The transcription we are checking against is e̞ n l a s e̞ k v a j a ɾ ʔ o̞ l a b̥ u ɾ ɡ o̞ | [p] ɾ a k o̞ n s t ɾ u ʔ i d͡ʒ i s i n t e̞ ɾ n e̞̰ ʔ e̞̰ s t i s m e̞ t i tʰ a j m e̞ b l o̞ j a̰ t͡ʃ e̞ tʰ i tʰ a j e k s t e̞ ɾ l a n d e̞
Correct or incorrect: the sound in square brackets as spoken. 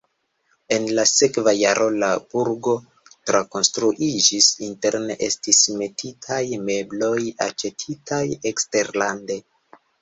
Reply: incorrect: t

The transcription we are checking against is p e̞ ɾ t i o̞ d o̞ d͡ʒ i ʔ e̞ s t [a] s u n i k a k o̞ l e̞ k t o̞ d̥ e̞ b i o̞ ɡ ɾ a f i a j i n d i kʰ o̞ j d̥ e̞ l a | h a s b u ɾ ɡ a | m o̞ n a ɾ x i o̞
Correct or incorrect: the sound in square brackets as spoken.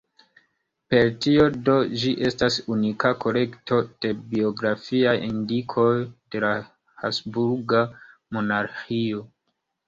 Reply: correct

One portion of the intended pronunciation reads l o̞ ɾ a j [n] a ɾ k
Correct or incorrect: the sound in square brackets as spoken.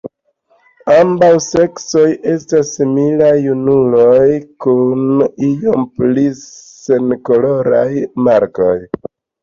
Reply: incorrect: m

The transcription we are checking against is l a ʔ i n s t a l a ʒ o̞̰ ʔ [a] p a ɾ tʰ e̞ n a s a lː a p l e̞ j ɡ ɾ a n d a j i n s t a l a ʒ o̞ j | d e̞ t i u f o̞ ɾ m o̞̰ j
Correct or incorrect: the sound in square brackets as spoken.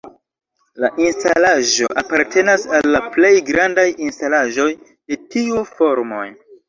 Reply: correct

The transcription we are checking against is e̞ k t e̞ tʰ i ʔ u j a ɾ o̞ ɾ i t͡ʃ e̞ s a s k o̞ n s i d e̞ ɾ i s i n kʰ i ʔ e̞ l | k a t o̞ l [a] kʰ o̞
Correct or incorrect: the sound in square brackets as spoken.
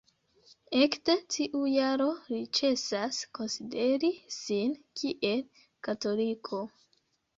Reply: incorrect: i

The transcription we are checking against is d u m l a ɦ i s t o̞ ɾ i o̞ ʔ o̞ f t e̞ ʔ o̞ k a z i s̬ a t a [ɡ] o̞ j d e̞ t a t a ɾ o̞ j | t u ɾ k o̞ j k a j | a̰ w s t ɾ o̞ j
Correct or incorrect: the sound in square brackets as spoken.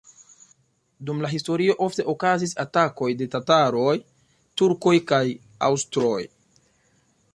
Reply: incorrect: k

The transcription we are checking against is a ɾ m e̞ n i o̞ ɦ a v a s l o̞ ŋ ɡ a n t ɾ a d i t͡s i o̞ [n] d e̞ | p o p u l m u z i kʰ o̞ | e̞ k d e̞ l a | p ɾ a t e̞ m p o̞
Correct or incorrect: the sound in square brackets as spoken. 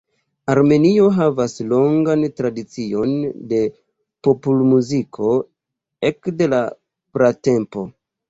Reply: correct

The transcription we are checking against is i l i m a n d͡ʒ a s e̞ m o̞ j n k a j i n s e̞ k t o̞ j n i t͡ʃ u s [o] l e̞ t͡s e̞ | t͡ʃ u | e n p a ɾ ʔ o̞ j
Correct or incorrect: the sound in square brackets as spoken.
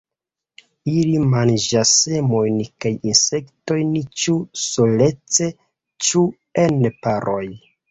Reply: correct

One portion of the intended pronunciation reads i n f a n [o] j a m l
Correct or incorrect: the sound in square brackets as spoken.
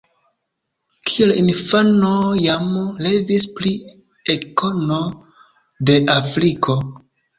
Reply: correct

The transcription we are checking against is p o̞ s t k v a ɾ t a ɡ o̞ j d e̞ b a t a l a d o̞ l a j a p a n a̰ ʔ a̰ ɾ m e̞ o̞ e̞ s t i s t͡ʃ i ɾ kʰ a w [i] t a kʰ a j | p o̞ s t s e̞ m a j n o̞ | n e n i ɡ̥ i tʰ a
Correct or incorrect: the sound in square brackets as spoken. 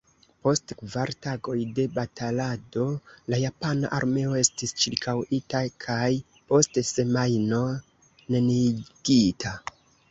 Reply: correct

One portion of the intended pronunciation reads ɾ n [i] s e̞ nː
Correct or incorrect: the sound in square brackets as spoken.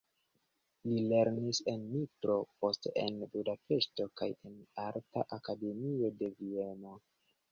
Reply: correct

